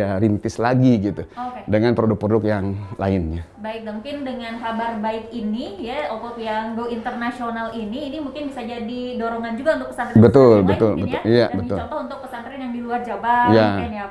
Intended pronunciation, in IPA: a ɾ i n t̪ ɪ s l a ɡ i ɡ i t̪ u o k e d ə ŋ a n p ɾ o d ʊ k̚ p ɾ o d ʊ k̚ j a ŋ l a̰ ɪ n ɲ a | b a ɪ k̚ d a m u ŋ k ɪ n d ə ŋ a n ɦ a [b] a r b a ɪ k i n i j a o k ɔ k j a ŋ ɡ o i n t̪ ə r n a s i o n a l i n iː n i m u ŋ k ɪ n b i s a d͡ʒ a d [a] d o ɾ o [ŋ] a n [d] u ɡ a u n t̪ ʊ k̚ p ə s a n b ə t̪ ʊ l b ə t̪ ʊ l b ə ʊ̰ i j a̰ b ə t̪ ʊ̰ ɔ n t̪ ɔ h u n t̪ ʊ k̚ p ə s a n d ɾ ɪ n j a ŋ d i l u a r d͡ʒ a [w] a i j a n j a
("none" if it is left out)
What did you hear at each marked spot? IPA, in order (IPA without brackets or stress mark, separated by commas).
b, i, ŋ, d͡ʒ, b